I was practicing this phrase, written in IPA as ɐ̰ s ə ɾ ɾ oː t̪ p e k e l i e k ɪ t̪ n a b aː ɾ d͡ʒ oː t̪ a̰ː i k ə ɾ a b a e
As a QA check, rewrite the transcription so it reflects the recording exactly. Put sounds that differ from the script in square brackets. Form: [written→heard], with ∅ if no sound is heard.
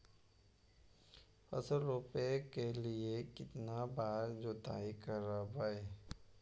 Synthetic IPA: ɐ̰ s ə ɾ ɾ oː [t̪→∅] p e k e l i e k ɪ t̪ n a b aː ɾ d͡ʒ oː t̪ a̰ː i k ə ɾ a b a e